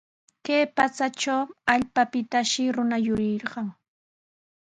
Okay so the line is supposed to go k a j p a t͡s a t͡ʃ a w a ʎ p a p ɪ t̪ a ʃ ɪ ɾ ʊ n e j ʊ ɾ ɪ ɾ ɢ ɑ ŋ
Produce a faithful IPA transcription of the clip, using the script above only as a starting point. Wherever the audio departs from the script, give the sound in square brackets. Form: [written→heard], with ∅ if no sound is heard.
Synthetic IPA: k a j p a t͡s a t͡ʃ a w a ʎ p a p ɪ t̪ a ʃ ɪ ɾ ʊ n [e→a] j ʊ ɾ ɪ ɾ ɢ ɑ ŋ